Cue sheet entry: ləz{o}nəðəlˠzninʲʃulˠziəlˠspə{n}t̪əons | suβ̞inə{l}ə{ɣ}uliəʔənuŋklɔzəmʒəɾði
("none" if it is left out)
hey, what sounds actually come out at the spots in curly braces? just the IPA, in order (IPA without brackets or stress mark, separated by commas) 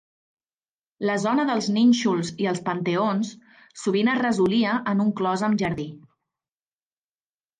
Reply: ɔ, n, r, z